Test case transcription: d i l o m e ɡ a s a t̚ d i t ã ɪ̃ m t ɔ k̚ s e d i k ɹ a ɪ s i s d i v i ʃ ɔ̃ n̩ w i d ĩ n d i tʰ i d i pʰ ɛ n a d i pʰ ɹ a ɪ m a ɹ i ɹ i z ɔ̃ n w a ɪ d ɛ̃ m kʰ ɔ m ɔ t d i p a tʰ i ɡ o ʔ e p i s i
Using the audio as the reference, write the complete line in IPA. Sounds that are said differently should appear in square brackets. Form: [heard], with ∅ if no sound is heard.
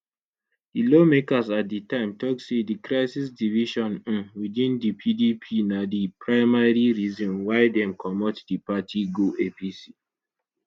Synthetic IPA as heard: d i l o m e [k] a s a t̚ d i t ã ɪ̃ m t ɔ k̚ s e d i k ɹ a ɪ s i s d i v i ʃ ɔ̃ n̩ w i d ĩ n d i [pʰ] i d i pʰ [i] n a d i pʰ ɹ a ɪ m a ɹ i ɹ i z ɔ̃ n w a ɪ d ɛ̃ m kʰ ɔ m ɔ t d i p a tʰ i ɡ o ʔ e p i s i